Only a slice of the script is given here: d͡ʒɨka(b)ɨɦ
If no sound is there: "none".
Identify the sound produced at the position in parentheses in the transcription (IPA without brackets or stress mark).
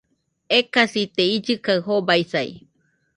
none